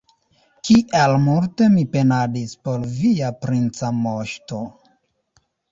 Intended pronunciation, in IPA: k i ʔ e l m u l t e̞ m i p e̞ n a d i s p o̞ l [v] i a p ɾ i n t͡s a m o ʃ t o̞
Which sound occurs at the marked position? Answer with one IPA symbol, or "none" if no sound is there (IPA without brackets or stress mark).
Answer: v